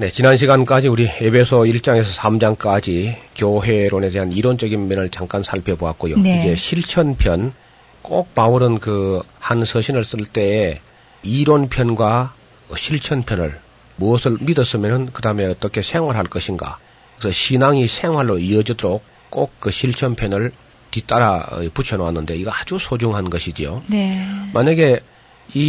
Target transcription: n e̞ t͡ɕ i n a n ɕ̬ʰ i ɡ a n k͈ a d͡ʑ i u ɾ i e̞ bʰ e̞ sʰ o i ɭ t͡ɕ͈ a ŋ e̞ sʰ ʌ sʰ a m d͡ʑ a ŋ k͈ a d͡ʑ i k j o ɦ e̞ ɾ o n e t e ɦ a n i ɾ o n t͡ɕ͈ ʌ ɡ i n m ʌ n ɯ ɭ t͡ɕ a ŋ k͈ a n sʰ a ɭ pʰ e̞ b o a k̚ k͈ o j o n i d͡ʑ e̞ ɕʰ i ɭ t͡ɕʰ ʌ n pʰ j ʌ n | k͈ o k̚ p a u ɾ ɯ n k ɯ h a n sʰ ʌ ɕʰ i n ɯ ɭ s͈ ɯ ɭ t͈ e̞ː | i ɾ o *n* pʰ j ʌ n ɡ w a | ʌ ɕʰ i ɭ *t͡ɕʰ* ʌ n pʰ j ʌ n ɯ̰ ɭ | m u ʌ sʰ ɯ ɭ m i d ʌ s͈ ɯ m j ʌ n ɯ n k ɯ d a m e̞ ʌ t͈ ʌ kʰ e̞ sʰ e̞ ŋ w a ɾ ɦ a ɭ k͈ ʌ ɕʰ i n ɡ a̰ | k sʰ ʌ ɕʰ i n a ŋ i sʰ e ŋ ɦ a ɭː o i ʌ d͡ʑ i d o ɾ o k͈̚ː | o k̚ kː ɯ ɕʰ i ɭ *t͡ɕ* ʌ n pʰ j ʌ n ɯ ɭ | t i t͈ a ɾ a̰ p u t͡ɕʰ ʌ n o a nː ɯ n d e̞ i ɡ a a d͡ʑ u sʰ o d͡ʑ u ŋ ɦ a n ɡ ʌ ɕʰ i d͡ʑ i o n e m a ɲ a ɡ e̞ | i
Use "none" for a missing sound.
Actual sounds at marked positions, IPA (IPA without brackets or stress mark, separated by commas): n, t͡ɕʰ, t͡ɕʰ